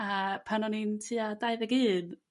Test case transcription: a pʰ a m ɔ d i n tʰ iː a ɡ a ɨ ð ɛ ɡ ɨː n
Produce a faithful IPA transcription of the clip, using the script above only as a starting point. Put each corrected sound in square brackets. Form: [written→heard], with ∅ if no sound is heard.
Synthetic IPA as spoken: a pʰ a [m→n] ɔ [d→n] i n tʰ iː a [ɡ→d] a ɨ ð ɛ ɡ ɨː n